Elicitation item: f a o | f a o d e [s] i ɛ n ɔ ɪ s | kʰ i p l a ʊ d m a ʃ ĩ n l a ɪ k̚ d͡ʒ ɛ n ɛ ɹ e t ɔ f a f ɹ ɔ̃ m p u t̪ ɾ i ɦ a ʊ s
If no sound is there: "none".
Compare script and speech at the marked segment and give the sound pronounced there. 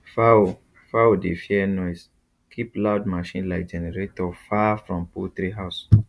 f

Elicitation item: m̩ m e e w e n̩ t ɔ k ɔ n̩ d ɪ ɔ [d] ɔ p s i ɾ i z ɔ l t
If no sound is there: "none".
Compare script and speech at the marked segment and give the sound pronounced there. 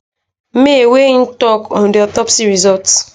t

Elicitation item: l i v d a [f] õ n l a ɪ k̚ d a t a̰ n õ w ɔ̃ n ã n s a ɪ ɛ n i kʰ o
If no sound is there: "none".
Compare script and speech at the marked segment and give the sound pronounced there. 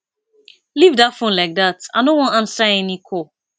f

